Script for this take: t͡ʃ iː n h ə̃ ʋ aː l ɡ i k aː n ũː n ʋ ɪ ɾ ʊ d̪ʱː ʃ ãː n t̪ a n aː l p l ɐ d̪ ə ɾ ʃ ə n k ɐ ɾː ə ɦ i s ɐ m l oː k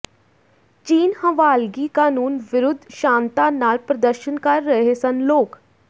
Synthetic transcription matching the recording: t͡ʃ iː n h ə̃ ʋ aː l ɡ i k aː n uː n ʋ ɪ ɾ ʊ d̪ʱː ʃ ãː n t̪ a n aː l p ɾ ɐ d̪ ə ɾ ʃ ə n k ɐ ɾː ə ɦ e s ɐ n l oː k

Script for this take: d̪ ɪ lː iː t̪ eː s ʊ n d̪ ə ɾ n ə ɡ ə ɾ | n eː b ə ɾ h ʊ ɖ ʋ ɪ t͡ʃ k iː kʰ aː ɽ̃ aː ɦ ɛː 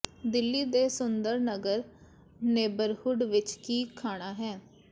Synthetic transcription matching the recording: d̪ ɪ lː iː d̪ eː s ʊ n d̪ ə ɾ n ə ɡ ə ɾ | n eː b ə ɾ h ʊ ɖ ʋ ɪ t͡ʃ k iː kʰ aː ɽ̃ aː ɦ ɛː

